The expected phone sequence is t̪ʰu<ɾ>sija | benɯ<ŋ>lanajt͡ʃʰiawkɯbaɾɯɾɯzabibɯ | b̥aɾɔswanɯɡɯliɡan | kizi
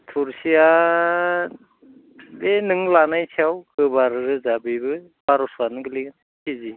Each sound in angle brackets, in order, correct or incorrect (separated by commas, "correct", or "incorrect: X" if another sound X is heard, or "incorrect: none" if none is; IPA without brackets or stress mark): correct, correct